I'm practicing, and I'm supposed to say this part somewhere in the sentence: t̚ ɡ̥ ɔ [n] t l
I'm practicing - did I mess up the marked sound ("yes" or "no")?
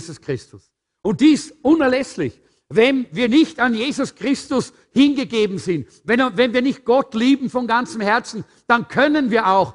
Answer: yes